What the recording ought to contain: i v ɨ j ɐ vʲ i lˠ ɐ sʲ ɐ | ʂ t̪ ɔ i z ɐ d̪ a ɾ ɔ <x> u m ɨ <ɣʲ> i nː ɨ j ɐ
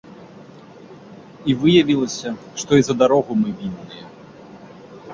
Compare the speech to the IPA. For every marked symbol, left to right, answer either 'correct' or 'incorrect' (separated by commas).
incorrect, incorrect